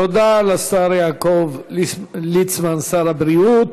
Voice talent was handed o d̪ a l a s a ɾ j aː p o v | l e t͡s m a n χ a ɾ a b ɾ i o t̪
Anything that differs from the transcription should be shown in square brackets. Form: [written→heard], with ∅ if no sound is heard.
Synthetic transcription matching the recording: o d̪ a l a s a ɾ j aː [p→k] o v | l [e→i] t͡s m a n [χ→s] a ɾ a b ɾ i [o→u] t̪